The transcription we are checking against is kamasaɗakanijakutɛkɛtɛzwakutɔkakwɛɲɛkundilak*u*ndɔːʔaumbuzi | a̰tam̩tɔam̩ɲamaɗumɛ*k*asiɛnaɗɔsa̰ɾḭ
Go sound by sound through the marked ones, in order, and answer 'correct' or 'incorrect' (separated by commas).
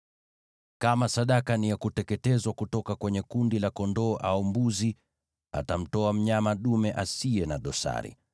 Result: incorrect, incorrect